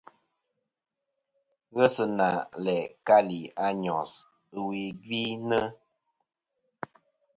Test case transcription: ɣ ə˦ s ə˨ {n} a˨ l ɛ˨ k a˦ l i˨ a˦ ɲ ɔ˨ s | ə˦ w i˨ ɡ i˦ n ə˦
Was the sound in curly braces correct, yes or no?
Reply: yes